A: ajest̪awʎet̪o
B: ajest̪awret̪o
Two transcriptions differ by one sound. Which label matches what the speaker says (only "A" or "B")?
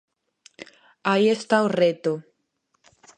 B